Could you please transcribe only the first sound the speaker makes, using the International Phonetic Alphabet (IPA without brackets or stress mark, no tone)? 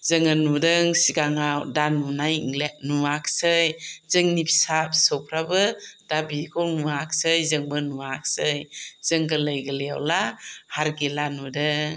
z